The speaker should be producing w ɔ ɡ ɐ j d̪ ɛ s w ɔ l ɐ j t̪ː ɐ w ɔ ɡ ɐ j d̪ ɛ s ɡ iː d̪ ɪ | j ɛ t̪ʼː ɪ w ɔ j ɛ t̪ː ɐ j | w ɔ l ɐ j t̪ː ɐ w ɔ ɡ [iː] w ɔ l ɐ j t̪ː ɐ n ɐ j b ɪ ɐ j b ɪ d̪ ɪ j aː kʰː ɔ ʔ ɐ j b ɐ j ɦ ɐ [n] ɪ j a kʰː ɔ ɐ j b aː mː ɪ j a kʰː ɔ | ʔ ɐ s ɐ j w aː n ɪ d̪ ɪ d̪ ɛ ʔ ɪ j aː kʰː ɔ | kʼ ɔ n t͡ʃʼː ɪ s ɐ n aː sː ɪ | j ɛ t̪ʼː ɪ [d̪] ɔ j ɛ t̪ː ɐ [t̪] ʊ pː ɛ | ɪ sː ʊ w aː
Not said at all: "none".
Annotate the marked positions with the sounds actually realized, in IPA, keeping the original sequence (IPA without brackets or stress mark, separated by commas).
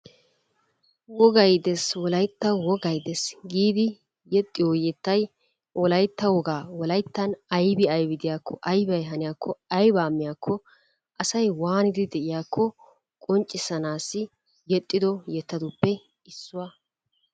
aː, n, d̪, d̪